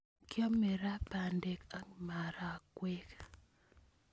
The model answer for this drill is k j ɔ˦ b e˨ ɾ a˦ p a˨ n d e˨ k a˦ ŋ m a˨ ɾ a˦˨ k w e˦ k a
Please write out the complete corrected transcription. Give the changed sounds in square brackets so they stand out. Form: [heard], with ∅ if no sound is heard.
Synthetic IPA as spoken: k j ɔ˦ [m] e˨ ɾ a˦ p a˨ n d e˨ k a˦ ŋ m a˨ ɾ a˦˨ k w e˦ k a